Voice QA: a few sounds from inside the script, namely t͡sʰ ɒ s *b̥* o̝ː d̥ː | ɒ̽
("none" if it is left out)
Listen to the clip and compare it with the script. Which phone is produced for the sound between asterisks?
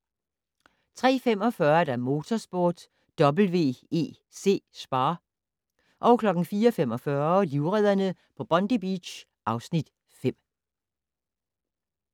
b̥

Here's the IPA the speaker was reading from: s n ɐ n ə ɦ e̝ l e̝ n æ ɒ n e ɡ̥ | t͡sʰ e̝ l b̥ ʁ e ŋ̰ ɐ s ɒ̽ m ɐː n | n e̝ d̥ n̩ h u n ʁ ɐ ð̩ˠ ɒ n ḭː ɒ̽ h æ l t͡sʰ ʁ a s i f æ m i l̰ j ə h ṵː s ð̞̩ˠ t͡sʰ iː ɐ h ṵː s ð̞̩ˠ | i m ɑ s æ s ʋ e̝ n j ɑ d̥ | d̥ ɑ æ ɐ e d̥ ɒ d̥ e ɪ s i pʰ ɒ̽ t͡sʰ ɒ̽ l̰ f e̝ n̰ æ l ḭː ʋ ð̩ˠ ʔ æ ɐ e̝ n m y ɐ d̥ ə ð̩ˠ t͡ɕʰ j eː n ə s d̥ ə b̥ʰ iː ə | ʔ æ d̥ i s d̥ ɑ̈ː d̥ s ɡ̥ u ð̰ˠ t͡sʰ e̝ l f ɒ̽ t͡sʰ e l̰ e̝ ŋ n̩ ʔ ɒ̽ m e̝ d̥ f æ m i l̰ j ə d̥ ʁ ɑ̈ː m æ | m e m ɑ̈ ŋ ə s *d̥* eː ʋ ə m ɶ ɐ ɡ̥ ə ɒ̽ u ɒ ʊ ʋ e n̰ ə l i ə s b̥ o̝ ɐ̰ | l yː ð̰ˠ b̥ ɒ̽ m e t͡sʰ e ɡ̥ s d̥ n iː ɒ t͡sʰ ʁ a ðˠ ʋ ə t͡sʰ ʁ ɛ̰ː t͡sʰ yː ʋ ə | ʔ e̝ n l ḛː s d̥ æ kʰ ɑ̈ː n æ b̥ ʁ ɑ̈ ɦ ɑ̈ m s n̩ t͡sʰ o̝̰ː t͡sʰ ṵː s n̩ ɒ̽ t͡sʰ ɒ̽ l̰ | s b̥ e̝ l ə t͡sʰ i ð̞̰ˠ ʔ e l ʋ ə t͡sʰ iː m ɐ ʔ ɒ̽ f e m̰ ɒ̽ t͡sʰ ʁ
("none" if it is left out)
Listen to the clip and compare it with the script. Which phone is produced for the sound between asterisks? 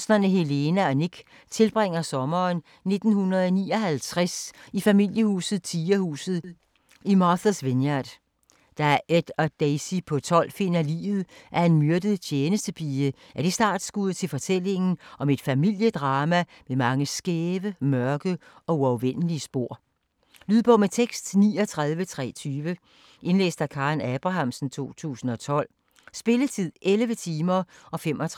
ɡ̥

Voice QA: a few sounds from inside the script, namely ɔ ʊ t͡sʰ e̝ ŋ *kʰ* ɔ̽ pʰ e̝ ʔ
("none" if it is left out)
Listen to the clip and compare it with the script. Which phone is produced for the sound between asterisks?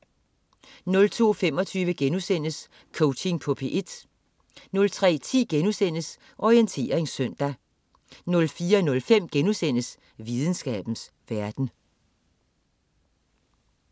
pʰ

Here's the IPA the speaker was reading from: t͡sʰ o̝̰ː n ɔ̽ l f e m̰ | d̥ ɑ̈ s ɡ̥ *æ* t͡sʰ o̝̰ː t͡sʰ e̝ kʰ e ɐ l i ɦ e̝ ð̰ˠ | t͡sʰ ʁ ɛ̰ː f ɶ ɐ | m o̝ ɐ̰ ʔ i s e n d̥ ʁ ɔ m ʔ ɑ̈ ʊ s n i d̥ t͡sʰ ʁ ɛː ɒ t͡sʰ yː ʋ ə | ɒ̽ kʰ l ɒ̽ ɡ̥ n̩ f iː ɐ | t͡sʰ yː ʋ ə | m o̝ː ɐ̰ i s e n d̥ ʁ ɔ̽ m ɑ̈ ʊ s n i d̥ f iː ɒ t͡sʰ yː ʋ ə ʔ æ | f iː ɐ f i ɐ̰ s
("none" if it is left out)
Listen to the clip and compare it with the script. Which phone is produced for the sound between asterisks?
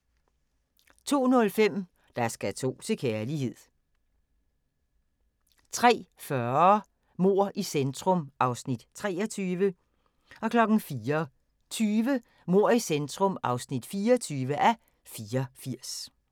æ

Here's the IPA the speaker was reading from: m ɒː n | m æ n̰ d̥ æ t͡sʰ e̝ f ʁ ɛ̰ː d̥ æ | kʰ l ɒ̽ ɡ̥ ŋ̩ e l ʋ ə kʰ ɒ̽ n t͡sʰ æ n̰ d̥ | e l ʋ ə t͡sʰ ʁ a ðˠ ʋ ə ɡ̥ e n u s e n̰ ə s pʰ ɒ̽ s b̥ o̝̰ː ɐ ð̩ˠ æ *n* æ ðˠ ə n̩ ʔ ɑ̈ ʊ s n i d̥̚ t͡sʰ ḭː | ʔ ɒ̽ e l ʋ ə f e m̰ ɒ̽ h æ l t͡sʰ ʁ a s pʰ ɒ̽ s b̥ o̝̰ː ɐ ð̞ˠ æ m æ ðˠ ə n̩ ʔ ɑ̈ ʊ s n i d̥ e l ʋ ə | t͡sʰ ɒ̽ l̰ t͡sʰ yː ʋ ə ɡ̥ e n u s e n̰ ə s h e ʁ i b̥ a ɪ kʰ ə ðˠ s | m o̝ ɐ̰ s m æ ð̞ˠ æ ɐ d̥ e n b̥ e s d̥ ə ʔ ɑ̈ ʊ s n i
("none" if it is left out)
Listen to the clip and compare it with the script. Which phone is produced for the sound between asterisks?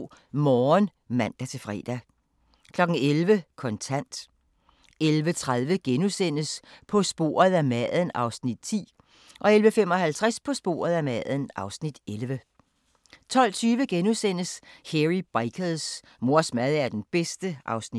m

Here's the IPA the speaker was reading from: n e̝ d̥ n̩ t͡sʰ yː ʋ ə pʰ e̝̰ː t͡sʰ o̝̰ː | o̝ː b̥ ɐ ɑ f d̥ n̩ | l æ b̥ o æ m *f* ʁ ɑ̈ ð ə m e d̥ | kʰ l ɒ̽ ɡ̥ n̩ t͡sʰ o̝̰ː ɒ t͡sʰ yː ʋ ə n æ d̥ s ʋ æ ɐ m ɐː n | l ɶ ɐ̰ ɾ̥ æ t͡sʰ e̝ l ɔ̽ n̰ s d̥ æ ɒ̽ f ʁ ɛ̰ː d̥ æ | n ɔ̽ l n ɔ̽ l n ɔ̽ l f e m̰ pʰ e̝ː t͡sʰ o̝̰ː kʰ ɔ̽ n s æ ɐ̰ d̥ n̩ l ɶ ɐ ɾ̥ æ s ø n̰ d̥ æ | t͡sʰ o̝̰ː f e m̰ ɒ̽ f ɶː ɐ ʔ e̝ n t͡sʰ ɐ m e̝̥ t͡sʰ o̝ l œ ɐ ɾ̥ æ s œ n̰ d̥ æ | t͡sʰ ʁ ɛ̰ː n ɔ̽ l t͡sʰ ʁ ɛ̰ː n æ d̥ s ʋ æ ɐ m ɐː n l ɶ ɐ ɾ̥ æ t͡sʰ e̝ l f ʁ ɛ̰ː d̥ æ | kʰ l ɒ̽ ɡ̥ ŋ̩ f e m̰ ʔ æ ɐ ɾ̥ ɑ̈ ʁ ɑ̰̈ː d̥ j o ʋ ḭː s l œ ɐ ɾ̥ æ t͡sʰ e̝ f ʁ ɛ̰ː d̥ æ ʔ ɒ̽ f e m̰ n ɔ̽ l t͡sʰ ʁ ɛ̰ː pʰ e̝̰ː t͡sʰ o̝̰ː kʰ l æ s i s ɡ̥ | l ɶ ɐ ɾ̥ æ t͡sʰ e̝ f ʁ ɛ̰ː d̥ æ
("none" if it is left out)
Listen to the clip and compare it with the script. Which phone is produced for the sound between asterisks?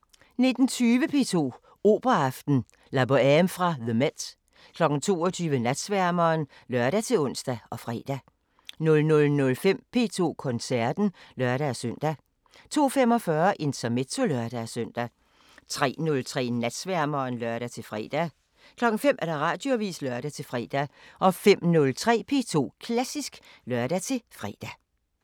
f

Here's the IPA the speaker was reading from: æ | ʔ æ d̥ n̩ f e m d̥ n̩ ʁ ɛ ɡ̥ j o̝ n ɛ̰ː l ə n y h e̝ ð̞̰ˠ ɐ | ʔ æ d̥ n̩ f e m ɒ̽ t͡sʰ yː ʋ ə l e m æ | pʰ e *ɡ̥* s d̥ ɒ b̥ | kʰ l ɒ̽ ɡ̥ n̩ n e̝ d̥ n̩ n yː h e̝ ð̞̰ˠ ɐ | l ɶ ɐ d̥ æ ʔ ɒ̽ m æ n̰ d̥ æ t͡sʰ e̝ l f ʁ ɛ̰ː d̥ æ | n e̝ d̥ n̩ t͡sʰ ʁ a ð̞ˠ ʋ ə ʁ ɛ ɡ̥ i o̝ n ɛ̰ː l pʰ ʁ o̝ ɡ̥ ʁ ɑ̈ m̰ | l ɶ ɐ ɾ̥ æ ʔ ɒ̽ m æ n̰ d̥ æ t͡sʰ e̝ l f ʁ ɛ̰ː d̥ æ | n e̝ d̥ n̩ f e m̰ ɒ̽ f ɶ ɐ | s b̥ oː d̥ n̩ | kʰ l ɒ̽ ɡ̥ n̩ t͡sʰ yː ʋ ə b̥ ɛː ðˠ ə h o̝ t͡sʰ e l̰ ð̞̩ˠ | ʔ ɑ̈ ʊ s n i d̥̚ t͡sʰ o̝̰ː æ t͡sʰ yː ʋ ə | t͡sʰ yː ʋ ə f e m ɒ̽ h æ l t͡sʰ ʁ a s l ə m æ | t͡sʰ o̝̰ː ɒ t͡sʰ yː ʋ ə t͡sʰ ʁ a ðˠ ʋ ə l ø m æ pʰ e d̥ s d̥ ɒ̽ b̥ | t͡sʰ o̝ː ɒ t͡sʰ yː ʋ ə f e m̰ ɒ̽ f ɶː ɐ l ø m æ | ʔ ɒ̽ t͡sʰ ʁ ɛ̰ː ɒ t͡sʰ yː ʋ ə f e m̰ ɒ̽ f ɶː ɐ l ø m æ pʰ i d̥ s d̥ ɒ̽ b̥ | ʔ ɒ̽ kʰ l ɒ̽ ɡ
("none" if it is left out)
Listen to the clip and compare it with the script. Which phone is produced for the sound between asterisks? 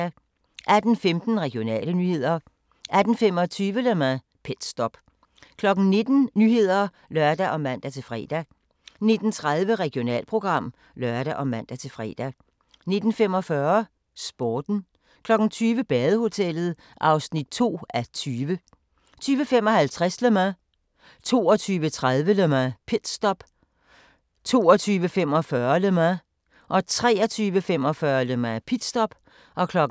d̥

